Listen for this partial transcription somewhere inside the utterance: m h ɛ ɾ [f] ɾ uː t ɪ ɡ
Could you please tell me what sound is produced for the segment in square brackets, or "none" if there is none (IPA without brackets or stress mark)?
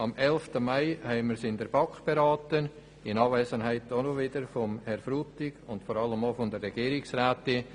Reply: f